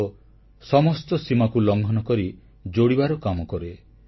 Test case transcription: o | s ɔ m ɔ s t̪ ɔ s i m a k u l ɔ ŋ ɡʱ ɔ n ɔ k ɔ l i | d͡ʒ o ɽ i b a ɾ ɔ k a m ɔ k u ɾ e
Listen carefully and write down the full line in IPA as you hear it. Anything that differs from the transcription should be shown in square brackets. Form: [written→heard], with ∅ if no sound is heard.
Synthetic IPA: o | s ɔ m ɔ s t̪ ɔ s i m a k u l ɔ ŋ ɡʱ ɔ n ɔ k ɔ [l→ɾ] i | d͡ʒ o ɽ i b a ɾ ɔ k a m ɔ k [u→ɔ] ɾ e